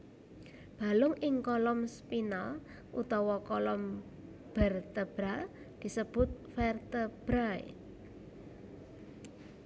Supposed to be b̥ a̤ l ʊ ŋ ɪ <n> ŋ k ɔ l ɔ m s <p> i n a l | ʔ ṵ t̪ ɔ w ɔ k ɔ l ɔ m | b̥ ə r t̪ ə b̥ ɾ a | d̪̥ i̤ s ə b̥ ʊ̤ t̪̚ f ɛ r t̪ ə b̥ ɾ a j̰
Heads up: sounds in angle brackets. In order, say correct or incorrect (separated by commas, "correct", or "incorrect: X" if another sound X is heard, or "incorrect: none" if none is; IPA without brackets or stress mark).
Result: incorrect: none, correct